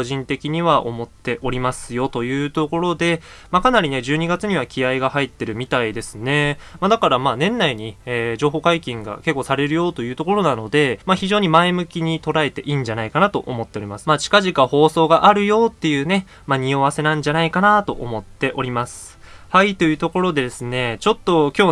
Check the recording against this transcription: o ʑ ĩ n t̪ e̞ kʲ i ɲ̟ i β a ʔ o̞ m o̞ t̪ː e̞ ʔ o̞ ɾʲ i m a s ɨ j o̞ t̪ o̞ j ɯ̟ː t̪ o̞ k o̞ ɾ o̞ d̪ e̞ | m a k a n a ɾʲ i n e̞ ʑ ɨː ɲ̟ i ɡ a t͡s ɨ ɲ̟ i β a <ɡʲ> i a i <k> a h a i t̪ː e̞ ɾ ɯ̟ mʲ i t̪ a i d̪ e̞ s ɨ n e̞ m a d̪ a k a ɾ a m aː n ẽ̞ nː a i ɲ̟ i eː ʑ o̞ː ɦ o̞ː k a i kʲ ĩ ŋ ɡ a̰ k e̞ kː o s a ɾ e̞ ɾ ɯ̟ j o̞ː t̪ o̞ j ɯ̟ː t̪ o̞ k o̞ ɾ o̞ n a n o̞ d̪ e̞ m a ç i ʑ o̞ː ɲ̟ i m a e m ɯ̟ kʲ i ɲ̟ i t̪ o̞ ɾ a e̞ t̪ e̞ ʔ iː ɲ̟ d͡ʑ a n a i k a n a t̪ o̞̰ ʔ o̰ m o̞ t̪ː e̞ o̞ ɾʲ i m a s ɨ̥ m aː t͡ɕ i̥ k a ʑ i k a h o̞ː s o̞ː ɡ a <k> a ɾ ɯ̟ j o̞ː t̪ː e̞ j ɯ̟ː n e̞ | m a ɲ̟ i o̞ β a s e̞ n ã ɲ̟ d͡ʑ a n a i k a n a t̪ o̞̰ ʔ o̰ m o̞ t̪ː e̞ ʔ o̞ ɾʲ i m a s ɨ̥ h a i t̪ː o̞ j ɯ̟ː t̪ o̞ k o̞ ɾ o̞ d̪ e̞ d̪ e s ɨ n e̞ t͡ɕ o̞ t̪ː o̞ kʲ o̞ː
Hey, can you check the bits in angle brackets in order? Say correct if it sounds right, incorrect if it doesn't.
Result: incorrect, incorrect, incorrect

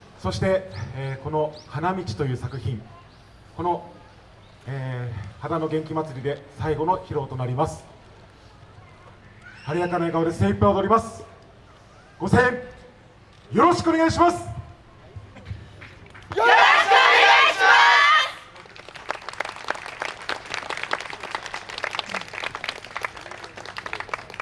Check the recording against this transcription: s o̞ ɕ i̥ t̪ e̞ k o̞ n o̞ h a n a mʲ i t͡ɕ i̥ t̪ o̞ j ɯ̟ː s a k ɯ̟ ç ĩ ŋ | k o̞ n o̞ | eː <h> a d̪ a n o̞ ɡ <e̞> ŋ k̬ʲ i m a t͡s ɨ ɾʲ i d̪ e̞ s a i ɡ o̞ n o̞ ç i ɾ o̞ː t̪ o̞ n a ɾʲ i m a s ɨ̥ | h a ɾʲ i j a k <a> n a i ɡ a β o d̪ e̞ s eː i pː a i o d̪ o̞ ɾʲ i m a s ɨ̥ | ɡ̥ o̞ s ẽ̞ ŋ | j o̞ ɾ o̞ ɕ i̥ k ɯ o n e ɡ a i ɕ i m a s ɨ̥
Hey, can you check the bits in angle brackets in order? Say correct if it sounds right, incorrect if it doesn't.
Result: correct, incorrect, correct

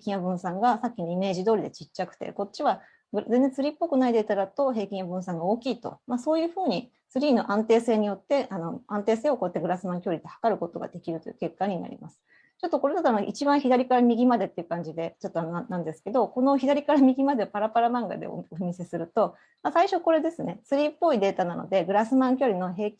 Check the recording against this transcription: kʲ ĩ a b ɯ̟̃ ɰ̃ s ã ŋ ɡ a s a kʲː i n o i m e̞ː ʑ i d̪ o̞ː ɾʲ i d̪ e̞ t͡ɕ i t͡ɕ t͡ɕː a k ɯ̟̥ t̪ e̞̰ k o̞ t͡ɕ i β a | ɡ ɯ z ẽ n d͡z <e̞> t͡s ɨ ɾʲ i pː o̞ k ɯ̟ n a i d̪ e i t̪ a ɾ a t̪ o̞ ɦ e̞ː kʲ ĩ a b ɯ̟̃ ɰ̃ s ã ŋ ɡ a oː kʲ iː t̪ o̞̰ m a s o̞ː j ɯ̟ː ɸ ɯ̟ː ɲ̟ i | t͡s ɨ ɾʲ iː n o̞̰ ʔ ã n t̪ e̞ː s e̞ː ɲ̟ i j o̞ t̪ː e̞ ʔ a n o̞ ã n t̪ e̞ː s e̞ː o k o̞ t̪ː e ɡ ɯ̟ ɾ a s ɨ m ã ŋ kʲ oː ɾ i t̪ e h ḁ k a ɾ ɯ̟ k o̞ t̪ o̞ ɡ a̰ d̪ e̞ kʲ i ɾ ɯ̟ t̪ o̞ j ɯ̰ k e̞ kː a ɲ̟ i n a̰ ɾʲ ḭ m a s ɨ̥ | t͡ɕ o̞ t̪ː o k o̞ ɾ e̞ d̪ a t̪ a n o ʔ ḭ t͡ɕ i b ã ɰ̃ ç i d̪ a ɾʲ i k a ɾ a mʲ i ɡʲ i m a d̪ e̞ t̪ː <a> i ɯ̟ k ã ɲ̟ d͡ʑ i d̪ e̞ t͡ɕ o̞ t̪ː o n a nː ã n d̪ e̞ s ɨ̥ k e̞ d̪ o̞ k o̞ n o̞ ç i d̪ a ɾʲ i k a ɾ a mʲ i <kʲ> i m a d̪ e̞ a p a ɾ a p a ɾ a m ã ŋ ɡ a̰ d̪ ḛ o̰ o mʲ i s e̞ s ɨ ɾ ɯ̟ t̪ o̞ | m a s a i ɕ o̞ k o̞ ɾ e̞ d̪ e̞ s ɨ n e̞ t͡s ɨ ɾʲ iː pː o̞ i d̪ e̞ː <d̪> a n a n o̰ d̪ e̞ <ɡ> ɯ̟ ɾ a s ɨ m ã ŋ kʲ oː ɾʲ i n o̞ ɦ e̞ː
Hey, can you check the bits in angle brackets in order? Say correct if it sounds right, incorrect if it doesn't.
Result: incorrect, incorrect, incorrect, incorrect, correct

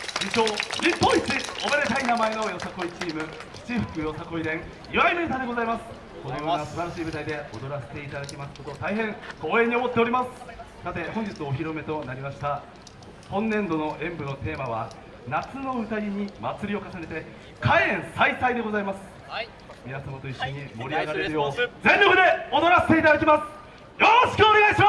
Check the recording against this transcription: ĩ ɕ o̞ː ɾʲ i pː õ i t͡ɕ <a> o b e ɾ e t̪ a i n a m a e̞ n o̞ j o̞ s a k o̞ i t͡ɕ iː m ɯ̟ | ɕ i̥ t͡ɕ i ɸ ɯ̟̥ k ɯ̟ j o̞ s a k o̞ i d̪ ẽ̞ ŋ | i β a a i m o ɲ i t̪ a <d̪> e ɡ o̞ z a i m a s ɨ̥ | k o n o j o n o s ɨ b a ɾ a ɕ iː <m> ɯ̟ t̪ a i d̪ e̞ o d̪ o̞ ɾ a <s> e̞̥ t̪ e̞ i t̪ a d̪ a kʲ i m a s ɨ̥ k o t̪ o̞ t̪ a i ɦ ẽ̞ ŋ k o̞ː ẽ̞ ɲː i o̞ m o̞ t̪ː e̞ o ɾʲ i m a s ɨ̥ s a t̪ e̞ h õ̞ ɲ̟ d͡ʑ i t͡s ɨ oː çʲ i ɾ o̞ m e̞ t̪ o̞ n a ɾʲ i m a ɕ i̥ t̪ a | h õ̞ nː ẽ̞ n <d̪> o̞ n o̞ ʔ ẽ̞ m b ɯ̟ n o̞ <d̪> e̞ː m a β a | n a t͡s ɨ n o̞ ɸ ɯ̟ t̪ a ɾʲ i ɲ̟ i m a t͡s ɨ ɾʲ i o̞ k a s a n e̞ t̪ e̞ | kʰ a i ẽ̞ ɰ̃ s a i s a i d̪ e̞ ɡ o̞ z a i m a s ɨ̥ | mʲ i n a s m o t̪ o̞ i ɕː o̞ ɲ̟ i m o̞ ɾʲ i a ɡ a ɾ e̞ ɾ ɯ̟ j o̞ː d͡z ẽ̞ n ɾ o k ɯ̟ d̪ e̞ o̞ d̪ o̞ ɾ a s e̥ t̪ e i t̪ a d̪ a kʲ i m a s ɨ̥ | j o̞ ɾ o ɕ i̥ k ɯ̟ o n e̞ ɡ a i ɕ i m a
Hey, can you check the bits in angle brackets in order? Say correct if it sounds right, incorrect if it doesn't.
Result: incorrect, correct, incorrect, correct, correct, incorrect

